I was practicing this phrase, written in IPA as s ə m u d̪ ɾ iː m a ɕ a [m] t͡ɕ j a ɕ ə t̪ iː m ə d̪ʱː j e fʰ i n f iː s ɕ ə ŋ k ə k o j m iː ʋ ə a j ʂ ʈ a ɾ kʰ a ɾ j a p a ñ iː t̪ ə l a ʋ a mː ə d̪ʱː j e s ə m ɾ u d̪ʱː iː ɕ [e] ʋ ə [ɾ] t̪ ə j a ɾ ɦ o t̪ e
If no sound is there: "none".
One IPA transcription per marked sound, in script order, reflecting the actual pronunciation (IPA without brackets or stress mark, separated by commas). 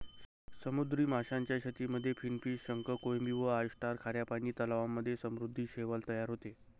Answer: ɲ, e, l